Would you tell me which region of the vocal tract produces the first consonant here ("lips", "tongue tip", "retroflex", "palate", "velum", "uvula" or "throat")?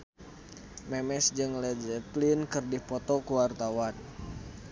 lips